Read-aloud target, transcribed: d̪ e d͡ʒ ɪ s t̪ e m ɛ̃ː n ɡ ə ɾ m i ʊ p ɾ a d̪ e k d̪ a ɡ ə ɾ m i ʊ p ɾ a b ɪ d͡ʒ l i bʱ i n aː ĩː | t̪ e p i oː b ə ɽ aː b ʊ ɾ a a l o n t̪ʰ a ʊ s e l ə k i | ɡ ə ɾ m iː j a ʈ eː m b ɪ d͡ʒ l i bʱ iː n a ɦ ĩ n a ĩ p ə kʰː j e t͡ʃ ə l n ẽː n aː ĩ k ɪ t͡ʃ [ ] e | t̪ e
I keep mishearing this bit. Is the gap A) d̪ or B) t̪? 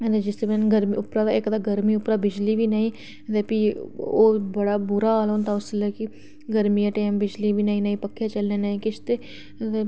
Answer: B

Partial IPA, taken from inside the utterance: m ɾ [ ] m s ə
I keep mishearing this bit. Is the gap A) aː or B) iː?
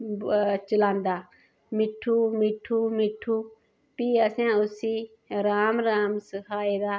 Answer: A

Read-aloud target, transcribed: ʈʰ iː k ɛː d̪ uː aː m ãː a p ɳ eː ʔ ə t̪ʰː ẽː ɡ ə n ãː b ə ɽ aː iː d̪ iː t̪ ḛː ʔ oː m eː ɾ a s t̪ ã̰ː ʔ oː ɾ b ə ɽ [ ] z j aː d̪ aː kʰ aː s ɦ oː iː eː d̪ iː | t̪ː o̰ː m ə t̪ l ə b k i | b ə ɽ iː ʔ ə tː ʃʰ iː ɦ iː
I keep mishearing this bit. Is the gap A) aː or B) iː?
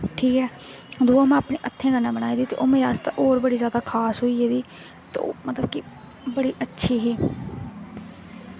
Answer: B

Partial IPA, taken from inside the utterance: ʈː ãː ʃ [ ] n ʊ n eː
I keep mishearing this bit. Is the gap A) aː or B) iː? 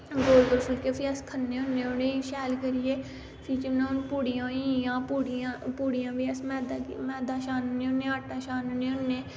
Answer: A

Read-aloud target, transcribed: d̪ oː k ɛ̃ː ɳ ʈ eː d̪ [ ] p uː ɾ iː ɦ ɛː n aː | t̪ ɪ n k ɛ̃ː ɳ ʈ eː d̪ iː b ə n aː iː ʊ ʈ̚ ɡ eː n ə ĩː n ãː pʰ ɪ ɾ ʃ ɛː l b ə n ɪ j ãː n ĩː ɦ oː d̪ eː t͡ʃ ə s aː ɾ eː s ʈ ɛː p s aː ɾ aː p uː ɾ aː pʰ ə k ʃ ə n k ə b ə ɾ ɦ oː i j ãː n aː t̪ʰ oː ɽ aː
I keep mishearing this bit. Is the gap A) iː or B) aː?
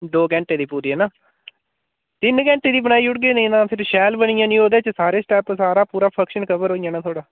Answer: A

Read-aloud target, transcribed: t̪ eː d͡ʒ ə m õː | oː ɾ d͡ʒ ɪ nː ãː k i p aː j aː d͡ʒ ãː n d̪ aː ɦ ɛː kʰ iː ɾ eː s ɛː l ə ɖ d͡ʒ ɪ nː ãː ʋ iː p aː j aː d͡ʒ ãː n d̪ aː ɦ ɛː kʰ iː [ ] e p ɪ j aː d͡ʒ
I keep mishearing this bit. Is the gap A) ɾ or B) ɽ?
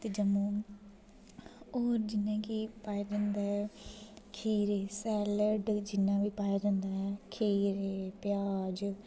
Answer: A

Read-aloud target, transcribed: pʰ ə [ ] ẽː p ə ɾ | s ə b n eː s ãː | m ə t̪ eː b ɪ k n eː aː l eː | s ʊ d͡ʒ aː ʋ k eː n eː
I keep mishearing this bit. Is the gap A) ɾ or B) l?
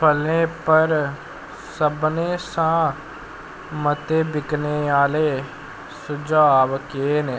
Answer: B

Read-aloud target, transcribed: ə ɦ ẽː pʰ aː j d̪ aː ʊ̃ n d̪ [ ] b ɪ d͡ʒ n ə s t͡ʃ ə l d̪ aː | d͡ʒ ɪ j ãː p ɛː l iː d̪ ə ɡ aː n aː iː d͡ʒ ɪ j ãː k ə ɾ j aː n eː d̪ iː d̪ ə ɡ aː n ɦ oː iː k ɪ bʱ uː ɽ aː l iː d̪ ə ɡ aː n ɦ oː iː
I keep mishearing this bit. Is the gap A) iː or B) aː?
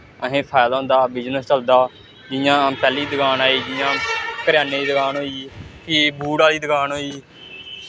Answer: B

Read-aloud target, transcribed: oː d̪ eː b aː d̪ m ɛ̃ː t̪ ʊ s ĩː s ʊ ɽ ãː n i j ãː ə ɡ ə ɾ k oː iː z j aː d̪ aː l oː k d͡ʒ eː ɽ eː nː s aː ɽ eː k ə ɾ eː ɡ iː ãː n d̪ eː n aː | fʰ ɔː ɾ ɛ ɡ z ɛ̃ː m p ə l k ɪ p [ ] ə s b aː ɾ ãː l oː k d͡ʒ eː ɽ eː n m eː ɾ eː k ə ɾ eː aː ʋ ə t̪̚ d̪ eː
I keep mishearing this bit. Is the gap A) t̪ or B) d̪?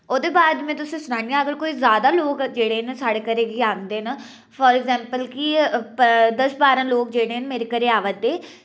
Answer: B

